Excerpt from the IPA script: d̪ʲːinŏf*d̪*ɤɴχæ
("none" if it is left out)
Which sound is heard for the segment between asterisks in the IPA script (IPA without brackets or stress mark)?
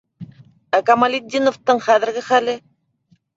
t̪